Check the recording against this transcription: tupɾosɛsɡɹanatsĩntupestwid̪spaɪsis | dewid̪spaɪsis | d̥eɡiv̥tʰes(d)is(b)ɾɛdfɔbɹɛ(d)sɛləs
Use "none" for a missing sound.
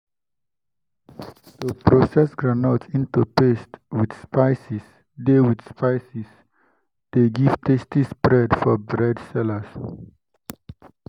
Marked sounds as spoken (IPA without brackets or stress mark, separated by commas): t, b, d